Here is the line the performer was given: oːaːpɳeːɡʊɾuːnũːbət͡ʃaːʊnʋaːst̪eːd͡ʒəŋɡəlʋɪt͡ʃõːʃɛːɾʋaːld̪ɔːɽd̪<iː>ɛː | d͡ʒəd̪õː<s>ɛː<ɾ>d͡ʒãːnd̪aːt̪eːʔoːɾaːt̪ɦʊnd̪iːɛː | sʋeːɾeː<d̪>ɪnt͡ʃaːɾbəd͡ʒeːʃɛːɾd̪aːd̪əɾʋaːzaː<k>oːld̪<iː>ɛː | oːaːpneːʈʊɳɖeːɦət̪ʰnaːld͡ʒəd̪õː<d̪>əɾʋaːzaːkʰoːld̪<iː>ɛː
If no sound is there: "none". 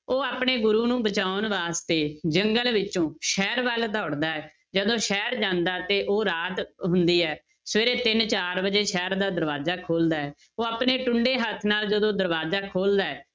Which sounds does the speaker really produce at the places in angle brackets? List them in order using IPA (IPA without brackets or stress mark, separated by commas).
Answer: aː, ʃ, ɾ, t̪, kʰ, aː, d̪, aː